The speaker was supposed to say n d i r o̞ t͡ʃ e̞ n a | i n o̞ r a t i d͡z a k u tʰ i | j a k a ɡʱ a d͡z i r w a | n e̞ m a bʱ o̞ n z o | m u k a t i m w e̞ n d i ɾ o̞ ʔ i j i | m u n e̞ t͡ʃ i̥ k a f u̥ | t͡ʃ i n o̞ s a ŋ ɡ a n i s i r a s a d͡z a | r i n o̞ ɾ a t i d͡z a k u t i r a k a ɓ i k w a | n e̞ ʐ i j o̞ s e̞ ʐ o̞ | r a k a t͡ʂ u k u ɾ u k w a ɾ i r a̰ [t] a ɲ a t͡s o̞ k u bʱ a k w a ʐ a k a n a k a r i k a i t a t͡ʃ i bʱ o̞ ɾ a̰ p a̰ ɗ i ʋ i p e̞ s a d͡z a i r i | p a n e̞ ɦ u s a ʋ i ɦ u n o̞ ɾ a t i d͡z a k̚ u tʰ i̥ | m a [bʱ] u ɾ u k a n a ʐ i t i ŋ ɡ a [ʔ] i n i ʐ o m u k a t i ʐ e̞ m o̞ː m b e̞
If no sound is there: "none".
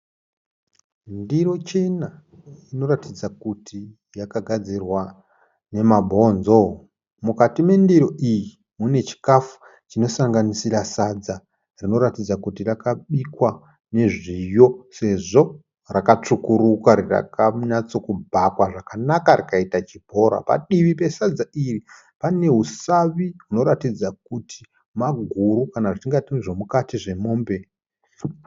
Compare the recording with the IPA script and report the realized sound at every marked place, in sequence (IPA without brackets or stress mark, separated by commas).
k, ɡʱ, t